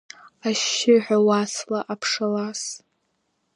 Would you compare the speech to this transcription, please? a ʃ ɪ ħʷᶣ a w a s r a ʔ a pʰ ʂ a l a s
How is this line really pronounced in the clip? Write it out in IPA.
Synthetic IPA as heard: a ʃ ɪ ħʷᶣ a w a s l a ʔ a pʰ ʂ a l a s